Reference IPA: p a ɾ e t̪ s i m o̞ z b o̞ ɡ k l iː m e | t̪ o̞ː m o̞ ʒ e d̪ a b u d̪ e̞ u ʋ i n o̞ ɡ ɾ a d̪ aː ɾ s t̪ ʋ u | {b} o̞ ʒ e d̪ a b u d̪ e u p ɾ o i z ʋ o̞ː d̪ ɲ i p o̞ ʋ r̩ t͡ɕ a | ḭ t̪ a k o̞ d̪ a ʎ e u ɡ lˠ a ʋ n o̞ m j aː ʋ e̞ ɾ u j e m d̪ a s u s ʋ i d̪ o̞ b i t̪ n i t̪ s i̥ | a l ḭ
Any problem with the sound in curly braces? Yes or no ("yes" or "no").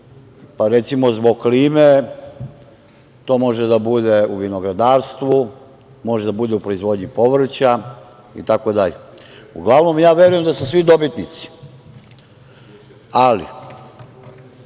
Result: yes